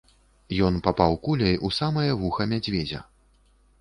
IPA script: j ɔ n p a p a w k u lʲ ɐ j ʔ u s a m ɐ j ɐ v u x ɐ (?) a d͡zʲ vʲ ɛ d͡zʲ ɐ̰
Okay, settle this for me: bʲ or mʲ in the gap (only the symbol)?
mʲ